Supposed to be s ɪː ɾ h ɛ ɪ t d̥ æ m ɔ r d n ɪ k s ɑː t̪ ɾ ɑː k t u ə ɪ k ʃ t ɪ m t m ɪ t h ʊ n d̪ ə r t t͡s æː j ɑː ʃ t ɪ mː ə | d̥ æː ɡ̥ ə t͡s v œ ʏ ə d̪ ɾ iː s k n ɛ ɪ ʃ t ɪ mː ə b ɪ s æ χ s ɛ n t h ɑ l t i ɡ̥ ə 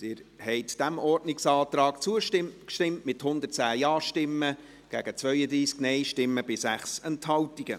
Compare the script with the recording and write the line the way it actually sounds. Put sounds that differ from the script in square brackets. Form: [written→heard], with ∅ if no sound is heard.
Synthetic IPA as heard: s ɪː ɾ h ɛ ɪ t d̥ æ m ɔ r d n ɪ k s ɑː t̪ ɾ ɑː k [t→t͡s] u ə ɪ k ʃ t ɪ m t m ɪ t h ʊ n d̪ ə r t t͡s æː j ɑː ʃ t ɪ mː ə | [d̥→ɡ̥] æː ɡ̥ ə t͡s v œ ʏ ə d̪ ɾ iː s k n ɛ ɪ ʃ t ɪ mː ə b ɪ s æ χ s ɛ n t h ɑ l t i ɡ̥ ə